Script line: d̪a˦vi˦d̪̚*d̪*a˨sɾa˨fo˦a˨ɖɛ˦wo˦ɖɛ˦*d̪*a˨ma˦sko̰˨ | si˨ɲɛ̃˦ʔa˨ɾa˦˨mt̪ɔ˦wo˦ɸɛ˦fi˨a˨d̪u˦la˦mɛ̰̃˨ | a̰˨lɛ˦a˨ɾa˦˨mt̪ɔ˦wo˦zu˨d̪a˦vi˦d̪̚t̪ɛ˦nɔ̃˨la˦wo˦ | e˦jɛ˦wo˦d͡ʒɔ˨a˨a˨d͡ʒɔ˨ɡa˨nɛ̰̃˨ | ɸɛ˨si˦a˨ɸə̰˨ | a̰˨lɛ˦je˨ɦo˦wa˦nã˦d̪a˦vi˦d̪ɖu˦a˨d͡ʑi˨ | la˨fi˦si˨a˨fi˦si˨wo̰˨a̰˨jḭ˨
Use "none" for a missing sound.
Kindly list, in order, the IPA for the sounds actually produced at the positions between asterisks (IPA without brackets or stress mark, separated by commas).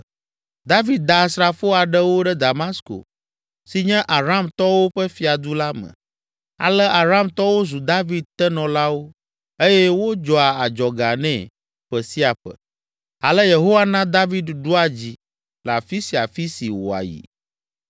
d̪, d̪